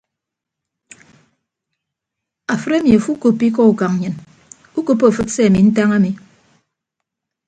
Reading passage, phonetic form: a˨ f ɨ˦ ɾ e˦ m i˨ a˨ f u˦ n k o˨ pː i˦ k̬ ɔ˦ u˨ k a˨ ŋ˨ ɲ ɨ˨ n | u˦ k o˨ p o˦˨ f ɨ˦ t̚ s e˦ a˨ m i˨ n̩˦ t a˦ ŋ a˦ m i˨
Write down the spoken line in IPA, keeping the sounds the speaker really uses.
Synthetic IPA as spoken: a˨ f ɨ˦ ɾ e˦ m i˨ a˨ f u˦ k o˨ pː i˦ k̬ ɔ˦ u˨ k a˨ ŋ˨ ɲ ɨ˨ n | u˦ k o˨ p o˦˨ f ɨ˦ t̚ s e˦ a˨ m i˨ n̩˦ t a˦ ŋ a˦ m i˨